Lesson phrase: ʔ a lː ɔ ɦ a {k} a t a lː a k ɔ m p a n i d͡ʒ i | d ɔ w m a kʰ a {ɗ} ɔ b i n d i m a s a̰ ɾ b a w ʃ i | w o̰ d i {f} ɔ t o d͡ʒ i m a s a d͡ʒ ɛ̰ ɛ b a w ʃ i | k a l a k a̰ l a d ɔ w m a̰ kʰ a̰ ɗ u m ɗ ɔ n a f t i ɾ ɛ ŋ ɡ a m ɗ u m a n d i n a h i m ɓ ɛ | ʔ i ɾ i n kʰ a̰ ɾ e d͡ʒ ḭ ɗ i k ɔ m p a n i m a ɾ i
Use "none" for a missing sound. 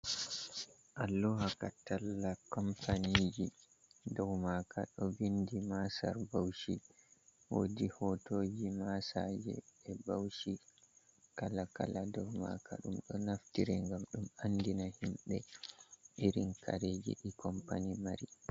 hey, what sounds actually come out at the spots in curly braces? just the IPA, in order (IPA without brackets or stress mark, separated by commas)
k, ɗ, h